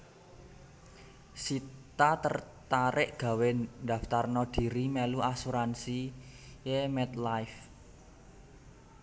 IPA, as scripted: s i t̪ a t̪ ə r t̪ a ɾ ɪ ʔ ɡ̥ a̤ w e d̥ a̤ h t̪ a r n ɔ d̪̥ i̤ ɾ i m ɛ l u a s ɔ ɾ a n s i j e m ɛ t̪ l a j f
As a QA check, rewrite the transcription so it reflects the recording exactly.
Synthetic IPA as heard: s i t̪ a t̪ ə r t̪ a ɾ ɪ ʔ ɡ̥ a̤ w e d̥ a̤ f t̪ a r n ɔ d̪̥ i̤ ɾ i m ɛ l u a s u ɾ a n s i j e m ɛ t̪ l a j f

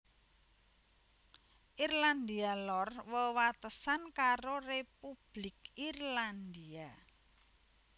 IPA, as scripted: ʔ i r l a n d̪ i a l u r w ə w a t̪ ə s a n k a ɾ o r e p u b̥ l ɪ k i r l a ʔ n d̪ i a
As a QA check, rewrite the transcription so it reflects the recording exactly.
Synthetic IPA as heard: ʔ i r l a n d̪ i a l ɔ r w ə w a t̪ ə s a n k a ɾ o r e p u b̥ l ɪ k i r l a n d̪ i a

